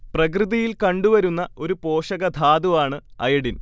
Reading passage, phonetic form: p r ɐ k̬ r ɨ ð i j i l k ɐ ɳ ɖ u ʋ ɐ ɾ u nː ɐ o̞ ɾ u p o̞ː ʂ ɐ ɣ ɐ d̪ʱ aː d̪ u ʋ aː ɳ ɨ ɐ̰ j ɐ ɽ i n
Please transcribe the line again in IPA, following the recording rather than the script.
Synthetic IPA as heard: p r ɐ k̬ r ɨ ð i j i l k ɐ ɳ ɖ u ʋ ɐ ɾ u nː ɐ o̞ ɾ u p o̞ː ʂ ɐ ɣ ɐ d̪ʱ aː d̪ u ʋ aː ɳ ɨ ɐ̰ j ɐ ɽ i n